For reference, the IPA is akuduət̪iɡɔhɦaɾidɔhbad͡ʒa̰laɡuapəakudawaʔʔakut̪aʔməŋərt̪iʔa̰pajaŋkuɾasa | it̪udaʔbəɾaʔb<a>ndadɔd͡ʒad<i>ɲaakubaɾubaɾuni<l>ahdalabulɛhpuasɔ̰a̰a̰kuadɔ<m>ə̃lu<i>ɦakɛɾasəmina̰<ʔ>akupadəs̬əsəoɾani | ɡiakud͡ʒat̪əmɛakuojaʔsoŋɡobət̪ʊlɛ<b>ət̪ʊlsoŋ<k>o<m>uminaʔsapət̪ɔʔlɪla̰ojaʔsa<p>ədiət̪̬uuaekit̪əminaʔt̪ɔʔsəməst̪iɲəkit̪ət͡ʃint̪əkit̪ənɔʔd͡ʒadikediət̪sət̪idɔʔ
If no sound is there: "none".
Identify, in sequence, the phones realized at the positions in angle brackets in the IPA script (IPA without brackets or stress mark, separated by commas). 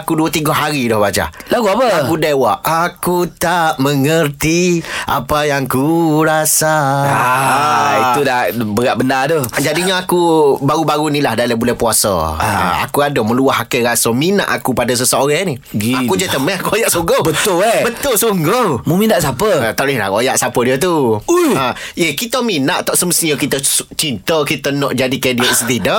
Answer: ə, i, l, m, a, ʔ, b, ɡ, m, p